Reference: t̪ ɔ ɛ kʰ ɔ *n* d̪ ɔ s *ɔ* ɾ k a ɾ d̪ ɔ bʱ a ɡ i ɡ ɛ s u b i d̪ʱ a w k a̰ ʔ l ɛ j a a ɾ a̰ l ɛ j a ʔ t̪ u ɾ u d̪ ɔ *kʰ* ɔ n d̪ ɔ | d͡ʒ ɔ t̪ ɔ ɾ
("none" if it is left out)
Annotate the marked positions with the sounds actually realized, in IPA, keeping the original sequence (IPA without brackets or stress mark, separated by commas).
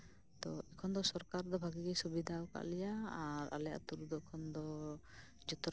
n, ɔ, kʰ